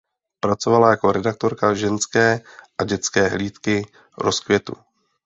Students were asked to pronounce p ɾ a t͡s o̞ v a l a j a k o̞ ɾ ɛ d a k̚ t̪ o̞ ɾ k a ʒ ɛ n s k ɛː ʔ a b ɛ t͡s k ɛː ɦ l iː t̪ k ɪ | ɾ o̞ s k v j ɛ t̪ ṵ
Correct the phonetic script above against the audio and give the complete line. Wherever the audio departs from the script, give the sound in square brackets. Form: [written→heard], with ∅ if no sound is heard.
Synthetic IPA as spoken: p ɾ a t͡s o̞ v a l a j a k o̞ ɾ ɛ d a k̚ t̪ o̞ ɾ k a ʒ ɛ n s k ɛː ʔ a [b→ɟ] ɛ t͡s k ɛː ɦ l iː t̪ k ɪ | ɾ o̞ s k v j ɛ t̪ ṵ